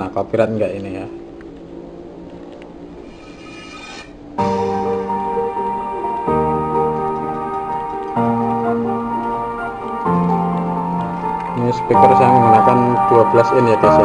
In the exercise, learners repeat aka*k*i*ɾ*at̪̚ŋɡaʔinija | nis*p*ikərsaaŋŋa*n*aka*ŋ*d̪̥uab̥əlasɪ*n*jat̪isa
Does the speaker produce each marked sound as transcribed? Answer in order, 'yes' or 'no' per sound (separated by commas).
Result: no, yes, yes, yes, no, yes